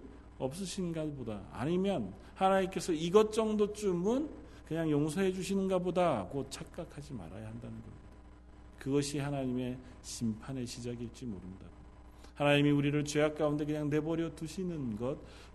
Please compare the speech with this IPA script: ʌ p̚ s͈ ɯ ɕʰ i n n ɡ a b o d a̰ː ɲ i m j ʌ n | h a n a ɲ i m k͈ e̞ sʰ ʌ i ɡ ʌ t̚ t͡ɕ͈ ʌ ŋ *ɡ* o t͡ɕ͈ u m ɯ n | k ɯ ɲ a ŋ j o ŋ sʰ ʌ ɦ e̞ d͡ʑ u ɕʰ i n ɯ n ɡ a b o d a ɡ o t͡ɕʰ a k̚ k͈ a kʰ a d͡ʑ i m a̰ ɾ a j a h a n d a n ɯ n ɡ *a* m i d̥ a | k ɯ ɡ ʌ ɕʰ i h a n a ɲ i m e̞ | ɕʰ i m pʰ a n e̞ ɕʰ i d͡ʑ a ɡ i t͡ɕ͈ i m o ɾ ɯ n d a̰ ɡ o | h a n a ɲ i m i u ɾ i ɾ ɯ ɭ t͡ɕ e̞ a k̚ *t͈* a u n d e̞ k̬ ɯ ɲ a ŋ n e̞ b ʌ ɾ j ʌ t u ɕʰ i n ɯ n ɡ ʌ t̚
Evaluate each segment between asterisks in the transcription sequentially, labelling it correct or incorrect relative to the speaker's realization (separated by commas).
incorrect, incorrect, incorrect